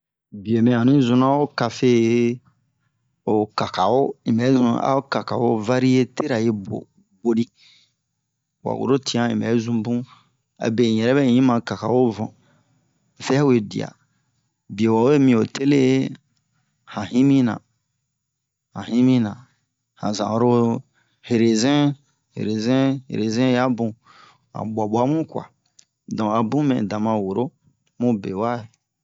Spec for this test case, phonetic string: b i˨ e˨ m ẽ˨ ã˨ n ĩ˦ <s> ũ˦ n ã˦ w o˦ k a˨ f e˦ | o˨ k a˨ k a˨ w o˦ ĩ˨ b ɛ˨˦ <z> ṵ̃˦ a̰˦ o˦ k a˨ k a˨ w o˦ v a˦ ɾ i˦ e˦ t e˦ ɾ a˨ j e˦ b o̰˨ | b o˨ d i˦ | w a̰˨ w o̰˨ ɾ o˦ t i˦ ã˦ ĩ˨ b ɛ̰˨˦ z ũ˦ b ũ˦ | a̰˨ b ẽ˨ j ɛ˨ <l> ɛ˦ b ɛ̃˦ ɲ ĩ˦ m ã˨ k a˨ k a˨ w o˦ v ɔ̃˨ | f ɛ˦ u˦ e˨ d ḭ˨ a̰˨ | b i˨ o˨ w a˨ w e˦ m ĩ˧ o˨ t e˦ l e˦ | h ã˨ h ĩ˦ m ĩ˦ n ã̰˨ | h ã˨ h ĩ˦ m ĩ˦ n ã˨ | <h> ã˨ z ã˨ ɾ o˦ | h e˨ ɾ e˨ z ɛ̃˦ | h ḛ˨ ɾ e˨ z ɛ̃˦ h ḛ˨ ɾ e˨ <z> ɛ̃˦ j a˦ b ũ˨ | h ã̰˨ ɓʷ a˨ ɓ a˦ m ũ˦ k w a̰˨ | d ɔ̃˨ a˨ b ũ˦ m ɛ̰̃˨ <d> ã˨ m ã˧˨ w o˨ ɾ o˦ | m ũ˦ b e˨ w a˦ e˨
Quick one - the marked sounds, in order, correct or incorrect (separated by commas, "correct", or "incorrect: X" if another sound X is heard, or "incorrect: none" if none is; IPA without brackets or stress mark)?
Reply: incorrect: z, correct, incorrect: ɾ, correct, correct, correct